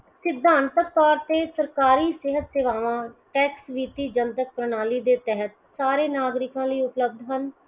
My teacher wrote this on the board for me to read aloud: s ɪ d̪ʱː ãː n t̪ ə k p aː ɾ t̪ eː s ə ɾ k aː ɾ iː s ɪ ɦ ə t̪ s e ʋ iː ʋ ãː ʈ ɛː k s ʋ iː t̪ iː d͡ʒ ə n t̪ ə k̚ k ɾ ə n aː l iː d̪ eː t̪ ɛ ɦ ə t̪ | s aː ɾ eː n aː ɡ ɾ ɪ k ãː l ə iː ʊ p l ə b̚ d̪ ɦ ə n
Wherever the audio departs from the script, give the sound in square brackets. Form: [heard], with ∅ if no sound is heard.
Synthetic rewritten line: s ɪ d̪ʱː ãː n t̪ ə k p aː ɾ t̪ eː s ə ɾ k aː ɾ iː s ɪ ɦ ə t̪ s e ʋ [aː] ʋ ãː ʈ ɛː k s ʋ iː t̪ iː d͡ʒ ə n t̪ ə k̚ [p] ɾ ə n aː l iː d̪ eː t̪ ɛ ɦ ə t̪ | s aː ɾ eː n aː ɡ ɾ ɪ k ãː l ə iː ʊ p l ə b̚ d̪ ɦ ə n